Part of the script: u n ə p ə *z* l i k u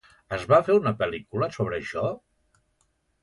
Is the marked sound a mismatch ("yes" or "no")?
yes